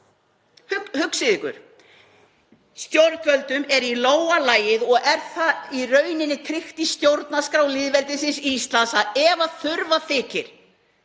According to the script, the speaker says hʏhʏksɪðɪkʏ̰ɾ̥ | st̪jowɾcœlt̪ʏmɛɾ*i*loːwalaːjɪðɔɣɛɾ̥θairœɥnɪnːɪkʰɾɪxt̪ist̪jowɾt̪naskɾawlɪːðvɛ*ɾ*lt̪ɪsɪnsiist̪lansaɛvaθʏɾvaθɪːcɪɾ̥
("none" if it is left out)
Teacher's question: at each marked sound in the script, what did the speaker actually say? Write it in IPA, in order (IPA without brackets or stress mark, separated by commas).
i, none